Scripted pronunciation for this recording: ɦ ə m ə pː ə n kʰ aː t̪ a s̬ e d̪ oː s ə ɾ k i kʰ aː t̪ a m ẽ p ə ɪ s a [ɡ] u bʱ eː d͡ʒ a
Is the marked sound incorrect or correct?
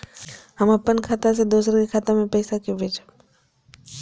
incorrect